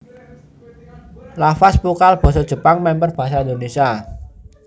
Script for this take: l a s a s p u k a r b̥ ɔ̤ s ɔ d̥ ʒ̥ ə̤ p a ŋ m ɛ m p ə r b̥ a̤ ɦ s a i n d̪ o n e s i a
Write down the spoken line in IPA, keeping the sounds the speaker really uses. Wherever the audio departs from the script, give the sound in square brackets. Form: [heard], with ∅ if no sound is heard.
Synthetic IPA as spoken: l a [f] a s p u k a [l] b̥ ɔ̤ s ɔ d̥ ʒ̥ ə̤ p a ŋ m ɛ m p ə r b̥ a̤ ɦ s a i n d̪ o n e s i a